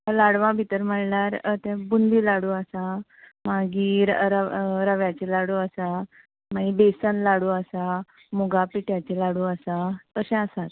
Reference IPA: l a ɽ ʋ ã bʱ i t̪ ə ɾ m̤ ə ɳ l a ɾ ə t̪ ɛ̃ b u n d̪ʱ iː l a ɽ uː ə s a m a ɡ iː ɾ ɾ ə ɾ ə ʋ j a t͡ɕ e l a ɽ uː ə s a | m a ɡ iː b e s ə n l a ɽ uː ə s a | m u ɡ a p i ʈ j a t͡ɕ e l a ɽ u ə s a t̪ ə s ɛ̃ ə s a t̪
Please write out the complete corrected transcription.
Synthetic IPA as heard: l a ɽ ʋ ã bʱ i t̪ ə ɾ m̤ ə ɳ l a ɾ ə t̪ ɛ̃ b u n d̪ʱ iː l a ɽ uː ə s a m a ɡ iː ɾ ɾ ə ɾ ə ʋ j a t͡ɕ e l a ɽ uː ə s a | m a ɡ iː b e s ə n l a ɽ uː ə s a | m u ɡ a p i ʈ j a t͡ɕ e l a ɽ u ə s a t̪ ə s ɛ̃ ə s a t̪

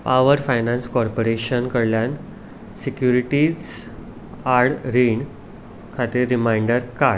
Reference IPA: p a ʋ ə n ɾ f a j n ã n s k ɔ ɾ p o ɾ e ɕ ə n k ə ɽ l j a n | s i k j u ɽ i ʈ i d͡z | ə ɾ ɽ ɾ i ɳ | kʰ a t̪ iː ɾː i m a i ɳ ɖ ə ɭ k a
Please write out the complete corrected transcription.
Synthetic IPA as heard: p a ʋ ə ɾ f a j n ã n s k ɔ ɾ p o ɾ e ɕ ə n k ə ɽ l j a n | s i k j u ɾ i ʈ i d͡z | a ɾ ɽ ɾ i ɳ | kʰ a t̪ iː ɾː i m a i ɳ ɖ ə ɾ k a

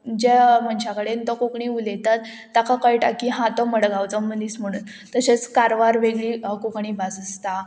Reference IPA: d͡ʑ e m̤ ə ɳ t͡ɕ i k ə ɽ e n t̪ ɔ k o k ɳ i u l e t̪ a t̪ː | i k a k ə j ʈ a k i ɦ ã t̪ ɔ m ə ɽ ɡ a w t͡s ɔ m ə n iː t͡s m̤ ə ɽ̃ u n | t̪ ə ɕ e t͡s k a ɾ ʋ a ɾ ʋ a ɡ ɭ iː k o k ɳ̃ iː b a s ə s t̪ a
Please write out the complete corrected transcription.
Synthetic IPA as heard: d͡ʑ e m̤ ə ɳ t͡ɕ a k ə ɽ e n t̪ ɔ k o k ɳ i u l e t̪ a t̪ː | a k a k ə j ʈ a k i ɦ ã t̪ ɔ m ə ɽ ɡ a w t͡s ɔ m ə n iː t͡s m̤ ə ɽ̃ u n | t̪ ə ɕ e t͡s k a ɾ ʋ a ɾ ʋ e ɡ ɭ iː k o k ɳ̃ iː b a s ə s t̪ a

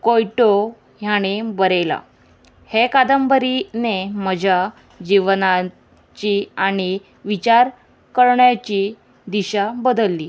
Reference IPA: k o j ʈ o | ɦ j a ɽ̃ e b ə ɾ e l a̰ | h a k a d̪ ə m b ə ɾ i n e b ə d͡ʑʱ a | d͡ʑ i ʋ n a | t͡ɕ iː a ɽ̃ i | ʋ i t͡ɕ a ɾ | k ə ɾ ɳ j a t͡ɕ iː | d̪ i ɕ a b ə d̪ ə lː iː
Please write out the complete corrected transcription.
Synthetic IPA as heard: k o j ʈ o | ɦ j a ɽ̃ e b ə ɾ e l a̰ | h e k a d̪ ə m b ə ɾ i n e m ə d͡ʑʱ a | d͡ʑ i ʋ n a | t͡ɕ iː a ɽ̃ i | ʋ i t͡ɕ a ɾ | k ə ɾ ɳ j a t͡ɕ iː | d̪ i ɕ a b ə d̪ ə lː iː

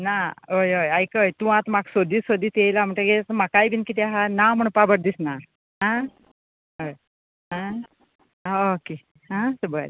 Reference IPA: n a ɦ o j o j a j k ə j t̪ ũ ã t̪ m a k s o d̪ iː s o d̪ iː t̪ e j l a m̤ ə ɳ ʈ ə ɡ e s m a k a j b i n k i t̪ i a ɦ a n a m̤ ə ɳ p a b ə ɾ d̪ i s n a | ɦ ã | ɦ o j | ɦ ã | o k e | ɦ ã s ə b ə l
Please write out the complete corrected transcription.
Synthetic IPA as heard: n a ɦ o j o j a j k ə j t̪ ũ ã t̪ m a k s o d̪ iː s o d̪ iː t̪ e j l a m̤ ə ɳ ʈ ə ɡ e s m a k a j b i n k i t̪ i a ɦ a n a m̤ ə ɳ p a b ə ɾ d̪ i s n a | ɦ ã | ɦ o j | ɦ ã | o k e | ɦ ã s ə b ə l

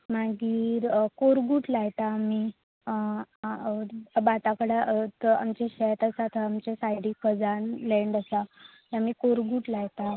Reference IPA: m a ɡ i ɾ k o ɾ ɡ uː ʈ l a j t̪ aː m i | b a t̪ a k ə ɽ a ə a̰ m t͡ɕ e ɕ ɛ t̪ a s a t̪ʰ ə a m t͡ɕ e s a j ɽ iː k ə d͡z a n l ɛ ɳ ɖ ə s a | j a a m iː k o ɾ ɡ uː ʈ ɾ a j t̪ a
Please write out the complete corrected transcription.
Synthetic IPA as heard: m a ɡ iː ɾ k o ɾ ɡ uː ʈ l a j t̪ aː m i | b a t̪ a k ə ɽ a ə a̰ m t͡ɕ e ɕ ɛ t̪ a s a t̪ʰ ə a m t͡ɕ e s a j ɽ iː k ə d͡z a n l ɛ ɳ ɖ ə s a | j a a m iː k o ɾ ɡ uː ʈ l a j t̪ a

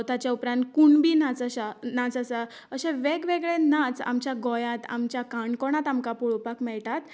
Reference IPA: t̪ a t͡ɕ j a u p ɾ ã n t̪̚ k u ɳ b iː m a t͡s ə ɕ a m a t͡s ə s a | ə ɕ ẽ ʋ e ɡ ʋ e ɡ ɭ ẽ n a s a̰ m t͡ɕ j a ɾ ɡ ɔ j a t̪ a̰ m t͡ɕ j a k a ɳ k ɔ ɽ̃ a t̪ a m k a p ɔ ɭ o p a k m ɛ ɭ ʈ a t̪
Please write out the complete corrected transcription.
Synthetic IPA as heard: t̪ a t͡ɕ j a u p ɾ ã n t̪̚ k u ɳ b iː n a t͡s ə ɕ a n a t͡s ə s a | ə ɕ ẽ ʋ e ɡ ʋ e ɡ ɭ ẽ n a t͡s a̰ m t͡ɕ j a ɡ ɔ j a t̪ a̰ m t͡ɕ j a k a ɳ k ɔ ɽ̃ a t̪ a m k a p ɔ ɭ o p a k m ɛ ɭ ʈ a t̪

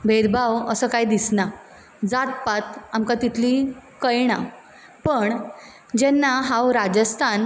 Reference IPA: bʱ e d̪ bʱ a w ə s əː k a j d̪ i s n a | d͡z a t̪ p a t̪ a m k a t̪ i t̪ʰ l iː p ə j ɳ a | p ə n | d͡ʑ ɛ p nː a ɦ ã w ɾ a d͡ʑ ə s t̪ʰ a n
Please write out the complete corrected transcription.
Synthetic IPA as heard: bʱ e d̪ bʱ a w ə s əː k a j d̪ i s n a | d͡z a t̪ p a t̪ a m k a t̪ i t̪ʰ l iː k ə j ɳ a | p ə ɳ | d͡ʑ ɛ nː a ɦ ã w ɾ a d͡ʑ ə s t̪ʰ a n

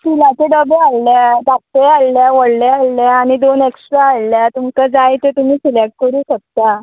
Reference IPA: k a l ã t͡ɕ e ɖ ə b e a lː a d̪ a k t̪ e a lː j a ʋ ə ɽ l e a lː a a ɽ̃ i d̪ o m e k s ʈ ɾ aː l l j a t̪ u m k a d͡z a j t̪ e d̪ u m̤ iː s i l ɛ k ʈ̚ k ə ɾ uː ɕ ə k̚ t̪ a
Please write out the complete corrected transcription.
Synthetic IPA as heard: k i l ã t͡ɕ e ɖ ə b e a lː a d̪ a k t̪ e a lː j a ʋ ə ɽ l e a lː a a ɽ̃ i d̪ o n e k s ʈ ɾ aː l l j a t̪ u m k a d͡z a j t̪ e t̪ u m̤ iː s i l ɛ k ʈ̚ k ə ɾ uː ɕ ə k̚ t̪ a

